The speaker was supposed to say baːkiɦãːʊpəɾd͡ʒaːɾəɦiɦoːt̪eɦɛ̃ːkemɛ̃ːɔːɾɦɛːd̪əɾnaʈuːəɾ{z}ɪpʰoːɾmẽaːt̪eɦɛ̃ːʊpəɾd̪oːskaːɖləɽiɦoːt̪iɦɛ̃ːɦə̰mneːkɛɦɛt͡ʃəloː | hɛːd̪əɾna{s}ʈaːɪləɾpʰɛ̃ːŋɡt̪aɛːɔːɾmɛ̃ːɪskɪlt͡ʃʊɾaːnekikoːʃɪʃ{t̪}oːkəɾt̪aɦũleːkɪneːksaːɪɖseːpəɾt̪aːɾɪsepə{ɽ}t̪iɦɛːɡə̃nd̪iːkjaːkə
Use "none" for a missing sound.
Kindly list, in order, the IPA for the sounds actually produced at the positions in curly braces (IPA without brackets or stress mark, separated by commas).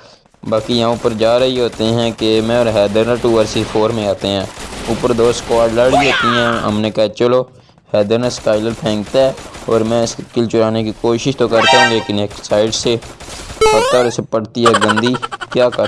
s, s, t̪, ɽ